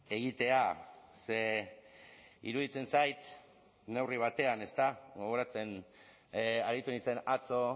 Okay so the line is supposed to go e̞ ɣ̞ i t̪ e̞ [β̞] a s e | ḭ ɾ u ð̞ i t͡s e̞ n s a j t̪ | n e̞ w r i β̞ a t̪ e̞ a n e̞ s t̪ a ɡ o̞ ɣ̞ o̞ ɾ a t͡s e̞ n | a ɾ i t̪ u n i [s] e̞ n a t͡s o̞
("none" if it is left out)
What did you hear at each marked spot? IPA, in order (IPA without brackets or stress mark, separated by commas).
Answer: none, t͡s